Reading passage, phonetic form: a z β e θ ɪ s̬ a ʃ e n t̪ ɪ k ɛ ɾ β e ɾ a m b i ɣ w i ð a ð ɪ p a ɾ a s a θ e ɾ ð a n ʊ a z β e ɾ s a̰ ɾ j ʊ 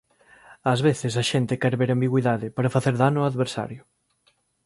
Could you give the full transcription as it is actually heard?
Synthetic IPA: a z β e θ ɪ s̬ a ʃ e n t̪ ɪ k ɛ ɾ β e ɾ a m b i ɣ w i ð a ð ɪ p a ɾ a f a θ e ɾ ð a n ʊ a ð β e ɾ s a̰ ɾ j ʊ